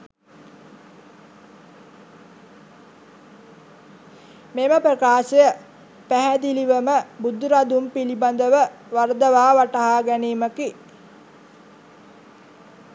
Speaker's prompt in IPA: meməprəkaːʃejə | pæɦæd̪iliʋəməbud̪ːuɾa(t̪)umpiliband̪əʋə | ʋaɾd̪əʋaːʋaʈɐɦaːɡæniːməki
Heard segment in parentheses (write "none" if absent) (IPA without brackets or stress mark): d̪